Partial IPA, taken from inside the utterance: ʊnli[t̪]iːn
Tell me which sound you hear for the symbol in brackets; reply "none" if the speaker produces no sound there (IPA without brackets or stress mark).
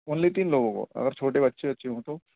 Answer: t̪